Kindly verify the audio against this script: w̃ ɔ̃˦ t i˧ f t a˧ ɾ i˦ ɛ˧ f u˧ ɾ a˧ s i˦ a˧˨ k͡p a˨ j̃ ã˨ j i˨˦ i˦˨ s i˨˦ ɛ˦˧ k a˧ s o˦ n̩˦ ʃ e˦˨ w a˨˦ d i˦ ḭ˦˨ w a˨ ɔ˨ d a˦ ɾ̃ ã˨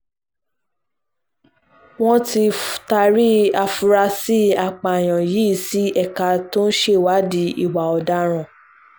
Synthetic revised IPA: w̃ ɔ̃˦ t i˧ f t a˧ ɾ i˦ a˧ f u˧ ɾ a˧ s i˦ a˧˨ k͡p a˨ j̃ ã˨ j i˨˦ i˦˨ s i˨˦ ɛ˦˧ k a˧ t o˦ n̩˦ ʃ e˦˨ w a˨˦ d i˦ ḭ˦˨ w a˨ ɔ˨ d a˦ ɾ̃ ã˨